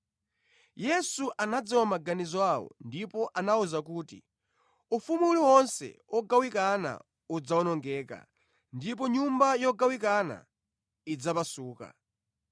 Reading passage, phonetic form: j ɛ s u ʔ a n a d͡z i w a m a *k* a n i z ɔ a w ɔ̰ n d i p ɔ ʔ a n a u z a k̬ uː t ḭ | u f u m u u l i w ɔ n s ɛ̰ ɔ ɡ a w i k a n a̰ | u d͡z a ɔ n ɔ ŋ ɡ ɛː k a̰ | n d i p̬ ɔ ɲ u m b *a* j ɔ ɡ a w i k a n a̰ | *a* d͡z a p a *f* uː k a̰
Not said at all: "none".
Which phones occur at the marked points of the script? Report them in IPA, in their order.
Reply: ɡ, a, i, s

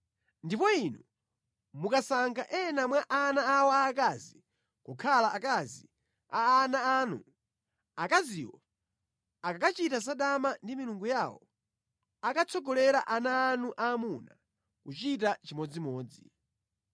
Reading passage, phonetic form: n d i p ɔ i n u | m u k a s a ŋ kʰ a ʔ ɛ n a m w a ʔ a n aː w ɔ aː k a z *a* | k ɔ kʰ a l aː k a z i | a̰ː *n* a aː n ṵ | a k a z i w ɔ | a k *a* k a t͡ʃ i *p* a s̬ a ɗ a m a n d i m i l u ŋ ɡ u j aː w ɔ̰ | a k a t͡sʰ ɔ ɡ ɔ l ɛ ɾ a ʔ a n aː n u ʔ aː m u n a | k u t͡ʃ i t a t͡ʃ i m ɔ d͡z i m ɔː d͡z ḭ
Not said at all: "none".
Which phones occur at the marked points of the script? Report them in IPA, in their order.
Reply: i, n, a, t

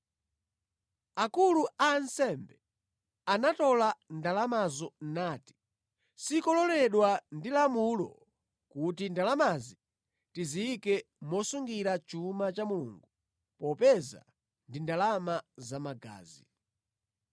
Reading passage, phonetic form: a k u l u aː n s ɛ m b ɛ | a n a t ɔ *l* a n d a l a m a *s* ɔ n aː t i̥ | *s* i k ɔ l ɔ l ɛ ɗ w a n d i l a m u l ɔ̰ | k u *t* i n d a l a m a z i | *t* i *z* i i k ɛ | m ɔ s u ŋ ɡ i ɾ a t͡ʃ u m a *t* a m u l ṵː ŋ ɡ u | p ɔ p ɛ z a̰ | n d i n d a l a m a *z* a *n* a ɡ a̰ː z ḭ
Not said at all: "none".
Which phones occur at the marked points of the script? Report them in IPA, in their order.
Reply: l, z, s, t, t, z, t͡ʃ, z, m

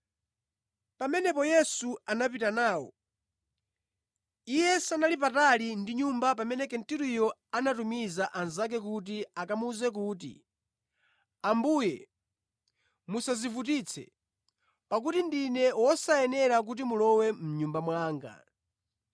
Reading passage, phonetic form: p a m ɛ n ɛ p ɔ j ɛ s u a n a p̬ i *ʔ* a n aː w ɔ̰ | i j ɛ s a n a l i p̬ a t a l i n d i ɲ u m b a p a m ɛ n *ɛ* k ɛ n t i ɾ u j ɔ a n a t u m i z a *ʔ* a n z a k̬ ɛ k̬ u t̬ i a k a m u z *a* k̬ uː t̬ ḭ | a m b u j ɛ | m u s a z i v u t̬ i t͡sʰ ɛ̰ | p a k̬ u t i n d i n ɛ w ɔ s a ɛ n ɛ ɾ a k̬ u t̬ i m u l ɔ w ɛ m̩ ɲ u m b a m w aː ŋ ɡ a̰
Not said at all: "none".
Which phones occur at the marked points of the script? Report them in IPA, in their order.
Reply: t, ɛ, ʔ, ɛ

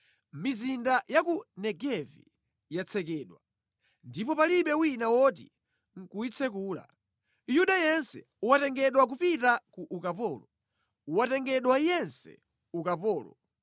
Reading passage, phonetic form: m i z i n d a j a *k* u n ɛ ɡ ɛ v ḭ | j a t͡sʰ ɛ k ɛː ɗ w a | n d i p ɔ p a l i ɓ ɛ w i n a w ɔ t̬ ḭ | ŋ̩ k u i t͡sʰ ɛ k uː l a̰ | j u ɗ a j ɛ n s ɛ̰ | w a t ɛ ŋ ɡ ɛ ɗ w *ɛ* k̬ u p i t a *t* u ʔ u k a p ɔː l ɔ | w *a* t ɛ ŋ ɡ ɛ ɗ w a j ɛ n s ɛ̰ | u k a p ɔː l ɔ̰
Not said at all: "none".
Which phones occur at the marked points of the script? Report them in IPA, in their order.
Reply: k, a, k, a

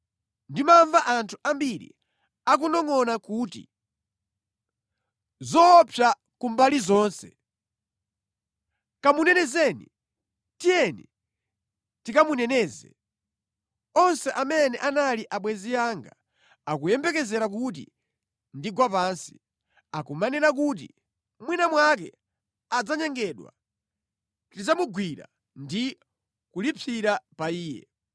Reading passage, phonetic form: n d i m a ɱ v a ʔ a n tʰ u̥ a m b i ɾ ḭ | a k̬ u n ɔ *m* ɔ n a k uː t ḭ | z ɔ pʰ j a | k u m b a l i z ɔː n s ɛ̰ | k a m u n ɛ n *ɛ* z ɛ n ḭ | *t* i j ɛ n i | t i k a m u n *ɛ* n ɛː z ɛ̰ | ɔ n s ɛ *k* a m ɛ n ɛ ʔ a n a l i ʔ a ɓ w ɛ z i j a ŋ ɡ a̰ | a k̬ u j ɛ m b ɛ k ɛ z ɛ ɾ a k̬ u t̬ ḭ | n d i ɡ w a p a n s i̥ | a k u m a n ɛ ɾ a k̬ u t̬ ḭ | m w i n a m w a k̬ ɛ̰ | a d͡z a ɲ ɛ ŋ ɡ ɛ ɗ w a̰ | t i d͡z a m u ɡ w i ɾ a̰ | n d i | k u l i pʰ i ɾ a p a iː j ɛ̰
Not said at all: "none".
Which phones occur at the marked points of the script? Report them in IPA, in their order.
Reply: ŋ, ɛ, t, ɛ, ʔ

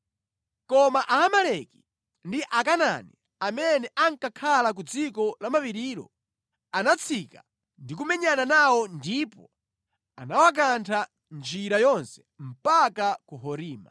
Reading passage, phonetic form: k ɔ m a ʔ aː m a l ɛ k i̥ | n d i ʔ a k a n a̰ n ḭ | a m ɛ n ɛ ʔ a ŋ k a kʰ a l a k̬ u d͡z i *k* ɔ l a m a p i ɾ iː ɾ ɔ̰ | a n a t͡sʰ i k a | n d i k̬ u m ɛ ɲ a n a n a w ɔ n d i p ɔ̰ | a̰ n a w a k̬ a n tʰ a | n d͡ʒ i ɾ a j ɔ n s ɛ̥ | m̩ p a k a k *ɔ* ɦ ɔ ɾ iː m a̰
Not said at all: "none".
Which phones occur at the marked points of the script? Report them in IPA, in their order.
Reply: k, u

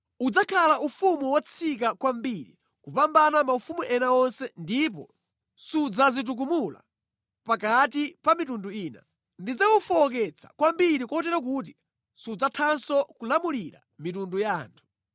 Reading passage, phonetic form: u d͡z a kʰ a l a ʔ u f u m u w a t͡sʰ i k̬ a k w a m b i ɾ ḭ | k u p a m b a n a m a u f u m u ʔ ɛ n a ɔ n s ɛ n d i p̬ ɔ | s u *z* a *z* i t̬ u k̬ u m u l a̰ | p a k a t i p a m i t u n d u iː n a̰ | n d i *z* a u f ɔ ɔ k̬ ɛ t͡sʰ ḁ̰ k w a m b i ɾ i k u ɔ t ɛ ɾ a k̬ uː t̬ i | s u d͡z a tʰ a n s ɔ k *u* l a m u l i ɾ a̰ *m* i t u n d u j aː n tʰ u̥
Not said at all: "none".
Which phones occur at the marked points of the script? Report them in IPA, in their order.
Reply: d͡z, z, d͡z, u, m

